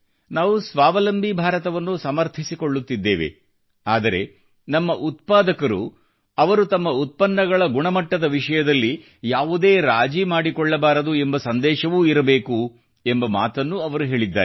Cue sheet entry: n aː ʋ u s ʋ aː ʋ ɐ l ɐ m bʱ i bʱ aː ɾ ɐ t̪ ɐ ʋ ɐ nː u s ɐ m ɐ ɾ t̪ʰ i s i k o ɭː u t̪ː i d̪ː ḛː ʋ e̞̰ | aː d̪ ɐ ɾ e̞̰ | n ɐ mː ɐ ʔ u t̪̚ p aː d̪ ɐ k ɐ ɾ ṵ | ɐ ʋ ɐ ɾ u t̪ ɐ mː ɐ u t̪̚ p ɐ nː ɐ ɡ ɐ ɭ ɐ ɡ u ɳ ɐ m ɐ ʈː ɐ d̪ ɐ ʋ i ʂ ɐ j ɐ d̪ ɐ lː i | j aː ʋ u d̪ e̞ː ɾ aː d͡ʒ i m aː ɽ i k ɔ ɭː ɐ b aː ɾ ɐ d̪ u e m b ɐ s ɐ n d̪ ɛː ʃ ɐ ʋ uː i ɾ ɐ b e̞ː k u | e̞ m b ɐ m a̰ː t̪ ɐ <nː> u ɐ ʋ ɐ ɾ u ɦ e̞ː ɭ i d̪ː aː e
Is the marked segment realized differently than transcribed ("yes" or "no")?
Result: no